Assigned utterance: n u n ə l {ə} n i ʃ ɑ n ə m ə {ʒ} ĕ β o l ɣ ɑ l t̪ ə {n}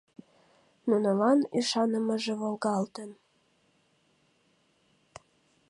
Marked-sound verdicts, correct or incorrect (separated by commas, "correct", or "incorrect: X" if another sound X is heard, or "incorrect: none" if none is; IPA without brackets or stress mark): incorrect: ɑ, correct, correct